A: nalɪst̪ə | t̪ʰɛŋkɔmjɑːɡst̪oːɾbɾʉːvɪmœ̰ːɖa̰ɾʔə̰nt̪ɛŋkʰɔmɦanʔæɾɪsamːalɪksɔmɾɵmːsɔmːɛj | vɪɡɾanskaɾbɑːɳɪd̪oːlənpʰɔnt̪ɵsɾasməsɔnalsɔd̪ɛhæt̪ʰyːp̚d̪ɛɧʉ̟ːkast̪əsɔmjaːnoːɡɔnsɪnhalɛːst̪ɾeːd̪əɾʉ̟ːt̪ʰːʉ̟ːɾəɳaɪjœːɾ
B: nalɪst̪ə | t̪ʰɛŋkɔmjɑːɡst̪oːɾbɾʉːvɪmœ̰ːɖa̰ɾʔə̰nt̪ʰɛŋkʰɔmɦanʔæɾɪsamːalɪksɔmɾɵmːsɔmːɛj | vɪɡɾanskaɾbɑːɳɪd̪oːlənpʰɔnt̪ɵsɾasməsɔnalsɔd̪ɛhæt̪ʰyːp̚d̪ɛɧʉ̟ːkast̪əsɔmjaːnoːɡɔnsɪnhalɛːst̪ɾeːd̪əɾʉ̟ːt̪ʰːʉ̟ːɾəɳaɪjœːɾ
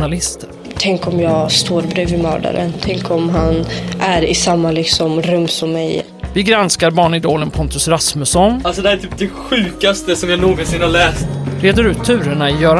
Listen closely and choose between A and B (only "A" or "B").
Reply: B